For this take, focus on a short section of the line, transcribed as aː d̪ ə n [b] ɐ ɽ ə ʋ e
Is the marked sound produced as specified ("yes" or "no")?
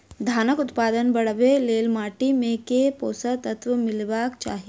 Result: yes